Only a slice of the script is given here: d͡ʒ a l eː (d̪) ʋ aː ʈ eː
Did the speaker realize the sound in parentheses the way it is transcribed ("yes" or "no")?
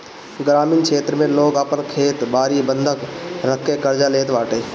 no